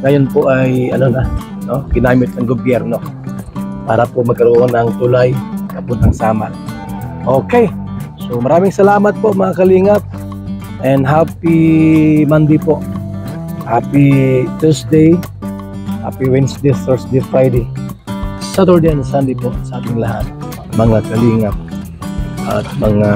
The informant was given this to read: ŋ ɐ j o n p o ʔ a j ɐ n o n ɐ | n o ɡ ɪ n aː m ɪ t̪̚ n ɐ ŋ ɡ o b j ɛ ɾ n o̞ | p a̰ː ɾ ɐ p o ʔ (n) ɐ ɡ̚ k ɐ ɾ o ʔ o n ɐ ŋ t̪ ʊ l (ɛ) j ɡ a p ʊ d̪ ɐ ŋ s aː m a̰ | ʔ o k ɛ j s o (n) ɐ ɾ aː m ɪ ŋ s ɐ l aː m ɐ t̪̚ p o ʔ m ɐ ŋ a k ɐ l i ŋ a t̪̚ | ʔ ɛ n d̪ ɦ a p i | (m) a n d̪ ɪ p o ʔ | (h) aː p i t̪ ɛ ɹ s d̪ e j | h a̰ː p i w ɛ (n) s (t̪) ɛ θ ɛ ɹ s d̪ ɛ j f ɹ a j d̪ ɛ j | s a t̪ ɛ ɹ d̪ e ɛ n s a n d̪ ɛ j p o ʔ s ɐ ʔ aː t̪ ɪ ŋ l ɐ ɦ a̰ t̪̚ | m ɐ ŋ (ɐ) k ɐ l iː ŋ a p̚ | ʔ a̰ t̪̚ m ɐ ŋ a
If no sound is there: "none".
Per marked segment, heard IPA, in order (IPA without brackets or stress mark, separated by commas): m, a, m, m, h, n, d̪, a